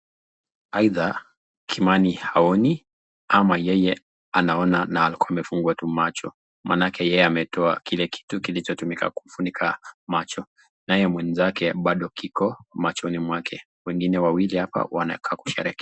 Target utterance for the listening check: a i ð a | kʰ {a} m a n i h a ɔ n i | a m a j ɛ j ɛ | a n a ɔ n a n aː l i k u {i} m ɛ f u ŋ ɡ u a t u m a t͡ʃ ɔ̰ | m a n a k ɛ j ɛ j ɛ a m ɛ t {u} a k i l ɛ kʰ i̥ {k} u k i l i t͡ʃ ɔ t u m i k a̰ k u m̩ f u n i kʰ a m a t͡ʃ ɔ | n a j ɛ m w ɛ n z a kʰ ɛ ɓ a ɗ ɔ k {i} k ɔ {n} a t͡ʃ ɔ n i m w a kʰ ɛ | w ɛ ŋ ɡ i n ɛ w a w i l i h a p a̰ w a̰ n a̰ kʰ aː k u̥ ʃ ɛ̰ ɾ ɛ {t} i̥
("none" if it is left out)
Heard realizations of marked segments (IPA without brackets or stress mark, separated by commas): i, a, ɔ, t, i, m, k